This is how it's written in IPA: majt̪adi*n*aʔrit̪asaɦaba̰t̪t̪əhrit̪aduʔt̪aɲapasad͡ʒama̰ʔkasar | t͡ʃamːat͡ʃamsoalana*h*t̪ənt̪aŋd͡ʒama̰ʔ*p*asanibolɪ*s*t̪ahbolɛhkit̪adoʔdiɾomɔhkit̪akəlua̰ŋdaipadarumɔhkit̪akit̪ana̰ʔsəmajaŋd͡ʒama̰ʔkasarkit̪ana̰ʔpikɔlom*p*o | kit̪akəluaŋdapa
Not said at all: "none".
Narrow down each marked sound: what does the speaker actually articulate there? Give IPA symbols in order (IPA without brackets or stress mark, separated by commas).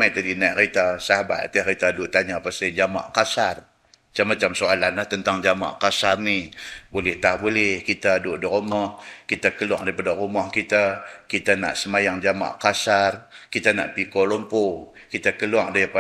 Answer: n, h, k, h, p